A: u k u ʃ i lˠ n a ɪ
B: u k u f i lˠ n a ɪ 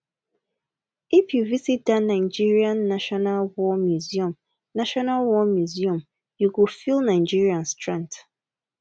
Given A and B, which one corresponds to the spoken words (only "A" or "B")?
B